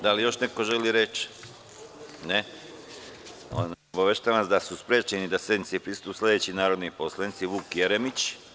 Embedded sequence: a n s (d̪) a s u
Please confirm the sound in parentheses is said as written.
yes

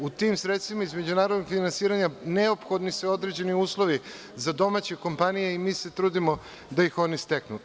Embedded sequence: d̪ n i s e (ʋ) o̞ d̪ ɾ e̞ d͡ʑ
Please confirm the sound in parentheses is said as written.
no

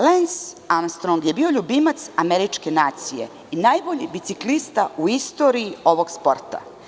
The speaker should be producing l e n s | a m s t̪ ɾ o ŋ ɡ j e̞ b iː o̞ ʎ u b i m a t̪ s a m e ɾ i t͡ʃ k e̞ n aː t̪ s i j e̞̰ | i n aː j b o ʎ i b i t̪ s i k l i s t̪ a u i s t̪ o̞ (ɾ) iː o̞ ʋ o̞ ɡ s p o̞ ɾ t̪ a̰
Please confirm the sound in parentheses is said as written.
yes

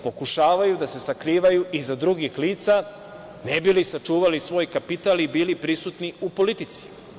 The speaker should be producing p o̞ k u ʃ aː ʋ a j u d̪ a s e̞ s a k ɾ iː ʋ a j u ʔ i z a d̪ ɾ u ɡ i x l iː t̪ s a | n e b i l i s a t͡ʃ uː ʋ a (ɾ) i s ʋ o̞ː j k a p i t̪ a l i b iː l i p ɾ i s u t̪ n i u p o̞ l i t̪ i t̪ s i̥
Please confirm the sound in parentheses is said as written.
no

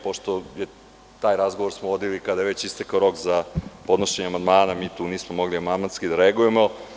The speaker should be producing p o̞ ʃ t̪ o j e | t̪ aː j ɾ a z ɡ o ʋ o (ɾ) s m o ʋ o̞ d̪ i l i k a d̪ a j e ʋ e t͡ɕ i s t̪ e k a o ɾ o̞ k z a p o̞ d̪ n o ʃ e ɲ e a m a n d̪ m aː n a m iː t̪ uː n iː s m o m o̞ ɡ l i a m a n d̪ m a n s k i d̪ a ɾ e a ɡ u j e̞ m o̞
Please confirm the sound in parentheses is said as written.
yes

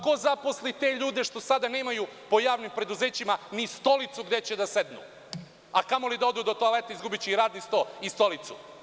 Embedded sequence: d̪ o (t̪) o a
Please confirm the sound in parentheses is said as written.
yes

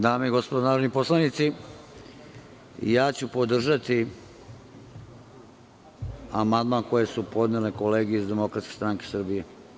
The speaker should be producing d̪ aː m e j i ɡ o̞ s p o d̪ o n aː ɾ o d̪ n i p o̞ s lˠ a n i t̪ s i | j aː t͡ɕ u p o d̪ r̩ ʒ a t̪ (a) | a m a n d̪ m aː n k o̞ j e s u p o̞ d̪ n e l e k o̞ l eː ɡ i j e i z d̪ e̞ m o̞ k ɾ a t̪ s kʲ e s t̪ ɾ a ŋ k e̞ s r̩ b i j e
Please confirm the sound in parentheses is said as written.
no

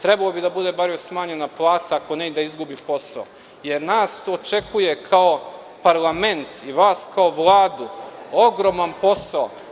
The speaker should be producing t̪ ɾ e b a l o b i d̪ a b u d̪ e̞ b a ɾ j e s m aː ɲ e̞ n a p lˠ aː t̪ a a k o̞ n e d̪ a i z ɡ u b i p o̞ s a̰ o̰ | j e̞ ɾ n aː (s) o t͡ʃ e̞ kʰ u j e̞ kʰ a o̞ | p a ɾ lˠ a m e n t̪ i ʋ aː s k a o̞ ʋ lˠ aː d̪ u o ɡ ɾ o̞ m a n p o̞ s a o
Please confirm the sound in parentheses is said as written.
yes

